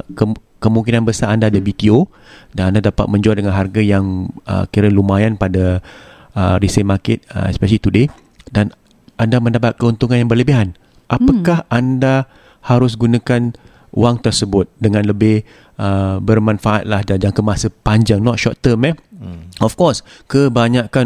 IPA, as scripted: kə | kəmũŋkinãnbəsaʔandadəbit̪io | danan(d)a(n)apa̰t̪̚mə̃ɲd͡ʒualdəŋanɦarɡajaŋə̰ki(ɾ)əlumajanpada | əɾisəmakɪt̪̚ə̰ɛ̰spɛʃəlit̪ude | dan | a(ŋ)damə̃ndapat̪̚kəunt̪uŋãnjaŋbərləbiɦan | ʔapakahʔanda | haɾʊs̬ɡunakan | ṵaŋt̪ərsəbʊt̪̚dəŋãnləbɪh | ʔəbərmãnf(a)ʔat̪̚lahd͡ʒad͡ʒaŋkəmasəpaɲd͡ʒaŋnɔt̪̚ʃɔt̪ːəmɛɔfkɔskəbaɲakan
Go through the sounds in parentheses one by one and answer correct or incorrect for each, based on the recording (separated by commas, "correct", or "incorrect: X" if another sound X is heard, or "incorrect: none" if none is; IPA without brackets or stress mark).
correct, incorrect: d, correct, incorrect: n, correct